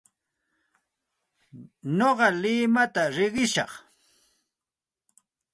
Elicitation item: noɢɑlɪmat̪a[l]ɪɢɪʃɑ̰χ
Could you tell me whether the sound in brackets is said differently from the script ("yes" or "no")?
yes